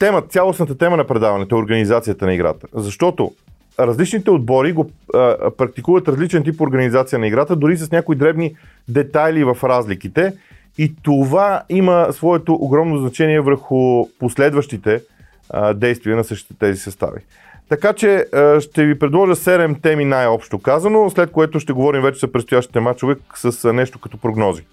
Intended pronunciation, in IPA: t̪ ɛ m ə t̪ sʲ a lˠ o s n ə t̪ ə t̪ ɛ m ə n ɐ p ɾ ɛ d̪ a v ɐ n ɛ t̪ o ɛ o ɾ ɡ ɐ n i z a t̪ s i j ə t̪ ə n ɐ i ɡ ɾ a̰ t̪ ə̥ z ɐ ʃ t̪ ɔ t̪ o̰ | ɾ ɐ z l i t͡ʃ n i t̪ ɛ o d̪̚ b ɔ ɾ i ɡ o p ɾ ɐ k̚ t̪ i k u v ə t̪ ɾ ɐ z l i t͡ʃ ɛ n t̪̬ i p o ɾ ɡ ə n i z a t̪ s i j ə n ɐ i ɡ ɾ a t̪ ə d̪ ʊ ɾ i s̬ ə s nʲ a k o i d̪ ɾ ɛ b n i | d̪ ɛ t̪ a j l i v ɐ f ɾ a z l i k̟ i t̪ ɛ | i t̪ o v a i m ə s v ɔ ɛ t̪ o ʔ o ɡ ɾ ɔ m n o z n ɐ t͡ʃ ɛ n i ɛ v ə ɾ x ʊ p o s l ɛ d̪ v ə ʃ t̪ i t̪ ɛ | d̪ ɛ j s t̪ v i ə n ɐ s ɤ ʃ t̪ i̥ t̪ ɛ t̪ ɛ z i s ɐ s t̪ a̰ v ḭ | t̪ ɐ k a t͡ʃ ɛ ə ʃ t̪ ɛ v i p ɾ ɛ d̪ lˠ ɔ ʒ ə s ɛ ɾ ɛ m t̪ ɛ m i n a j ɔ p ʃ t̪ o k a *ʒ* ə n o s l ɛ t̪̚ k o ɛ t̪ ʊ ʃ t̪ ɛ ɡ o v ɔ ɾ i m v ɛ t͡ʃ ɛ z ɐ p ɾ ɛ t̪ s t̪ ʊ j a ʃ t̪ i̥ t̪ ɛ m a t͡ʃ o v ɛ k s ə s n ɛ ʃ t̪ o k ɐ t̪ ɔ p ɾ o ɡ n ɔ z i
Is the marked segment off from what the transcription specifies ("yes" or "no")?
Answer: yes